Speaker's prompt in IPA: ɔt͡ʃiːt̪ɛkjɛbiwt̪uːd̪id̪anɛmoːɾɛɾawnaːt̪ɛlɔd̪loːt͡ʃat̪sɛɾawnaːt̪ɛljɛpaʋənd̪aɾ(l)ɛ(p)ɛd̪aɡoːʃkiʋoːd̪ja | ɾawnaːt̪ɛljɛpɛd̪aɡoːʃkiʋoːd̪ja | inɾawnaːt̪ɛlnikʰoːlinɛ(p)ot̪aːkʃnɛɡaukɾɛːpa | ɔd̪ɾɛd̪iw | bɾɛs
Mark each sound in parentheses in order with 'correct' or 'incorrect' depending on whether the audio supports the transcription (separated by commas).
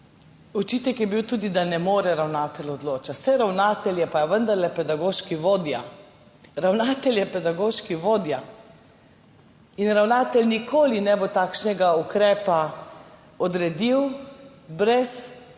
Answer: correct, correct, incorrect